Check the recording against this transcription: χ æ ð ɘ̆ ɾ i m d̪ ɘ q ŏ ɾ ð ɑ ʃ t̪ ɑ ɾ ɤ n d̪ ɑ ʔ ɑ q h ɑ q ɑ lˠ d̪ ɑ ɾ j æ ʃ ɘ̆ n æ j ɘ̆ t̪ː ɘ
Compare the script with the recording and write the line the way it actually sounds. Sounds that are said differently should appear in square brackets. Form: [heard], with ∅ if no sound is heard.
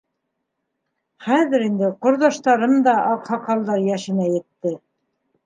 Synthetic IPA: χ æ ð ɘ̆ ɾ i [n] d̪ ɘ q ŏ ɾ ð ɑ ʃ t̪ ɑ ɾ ɤ [m] d̪ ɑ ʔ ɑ q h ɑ q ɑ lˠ d̪ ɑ ɾ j æ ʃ ɘ̆ n æ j ɘ̆ t̪ː ɘ